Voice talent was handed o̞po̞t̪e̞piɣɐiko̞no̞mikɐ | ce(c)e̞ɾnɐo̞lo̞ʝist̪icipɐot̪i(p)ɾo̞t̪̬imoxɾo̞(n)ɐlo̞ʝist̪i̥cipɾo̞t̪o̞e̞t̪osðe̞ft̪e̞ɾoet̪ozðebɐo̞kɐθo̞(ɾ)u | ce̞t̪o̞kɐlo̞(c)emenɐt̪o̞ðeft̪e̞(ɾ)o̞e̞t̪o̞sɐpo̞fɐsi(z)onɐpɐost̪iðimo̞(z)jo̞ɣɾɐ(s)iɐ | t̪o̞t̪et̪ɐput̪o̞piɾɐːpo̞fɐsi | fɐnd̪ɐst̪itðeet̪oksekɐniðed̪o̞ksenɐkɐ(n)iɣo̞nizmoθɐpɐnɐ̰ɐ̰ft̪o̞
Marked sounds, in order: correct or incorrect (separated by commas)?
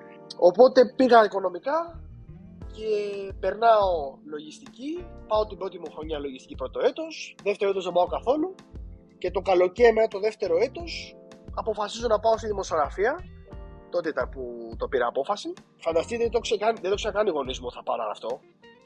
incorrect, incorrect, incorrect, incorrect, correct, correct, correct, incorrect, incorrect, correct